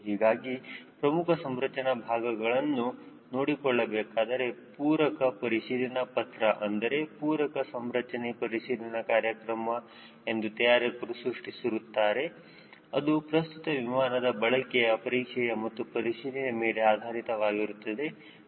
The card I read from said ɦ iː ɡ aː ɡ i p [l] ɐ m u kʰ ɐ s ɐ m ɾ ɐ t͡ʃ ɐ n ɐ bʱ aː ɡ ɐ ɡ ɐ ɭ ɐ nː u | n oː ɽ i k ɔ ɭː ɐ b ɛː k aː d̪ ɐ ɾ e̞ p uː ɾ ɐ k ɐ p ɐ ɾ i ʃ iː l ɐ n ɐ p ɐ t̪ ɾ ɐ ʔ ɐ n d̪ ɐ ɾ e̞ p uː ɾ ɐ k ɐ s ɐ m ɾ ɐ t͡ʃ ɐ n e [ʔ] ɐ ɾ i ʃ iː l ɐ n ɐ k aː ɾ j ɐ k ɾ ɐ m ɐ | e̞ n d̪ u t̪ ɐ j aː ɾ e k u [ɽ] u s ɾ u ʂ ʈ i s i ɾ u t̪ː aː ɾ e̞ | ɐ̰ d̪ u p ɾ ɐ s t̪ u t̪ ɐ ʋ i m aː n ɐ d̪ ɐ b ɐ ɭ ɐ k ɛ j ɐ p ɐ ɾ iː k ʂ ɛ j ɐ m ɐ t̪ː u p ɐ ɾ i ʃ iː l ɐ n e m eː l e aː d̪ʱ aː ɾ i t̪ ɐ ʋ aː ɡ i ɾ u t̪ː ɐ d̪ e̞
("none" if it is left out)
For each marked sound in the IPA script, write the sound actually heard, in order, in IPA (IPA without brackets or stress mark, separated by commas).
ɾ, p, ɾ